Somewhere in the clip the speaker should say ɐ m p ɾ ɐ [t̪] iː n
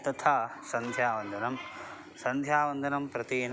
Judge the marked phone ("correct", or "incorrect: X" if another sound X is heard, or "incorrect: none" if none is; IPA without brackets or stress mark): correct